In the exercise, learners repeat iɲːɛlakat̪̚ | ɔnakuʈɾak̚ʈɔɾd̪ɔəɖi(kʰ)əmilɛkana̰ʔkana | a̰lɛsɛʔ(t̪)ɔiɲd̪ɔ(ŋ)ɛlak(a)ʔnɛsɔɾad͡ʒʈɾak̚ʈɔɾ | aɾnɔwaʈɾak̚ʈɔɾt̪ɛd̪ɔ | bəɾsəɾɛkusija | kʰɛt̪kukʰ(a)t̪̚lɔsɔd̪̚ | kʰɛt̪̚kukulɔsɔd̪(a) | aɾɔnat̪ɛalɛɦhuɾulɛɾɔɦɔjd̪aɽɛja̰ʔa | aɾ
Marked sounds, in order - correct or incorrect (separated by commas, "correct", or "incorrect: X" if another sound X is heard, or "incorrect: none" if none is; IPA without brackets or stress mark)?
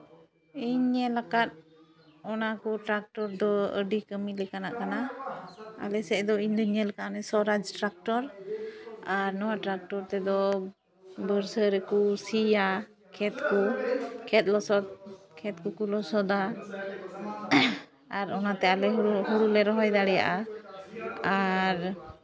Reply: incorrect: k, incorrect: d̪, incorrect: ɲ, correct, incorrect: ɛ, correct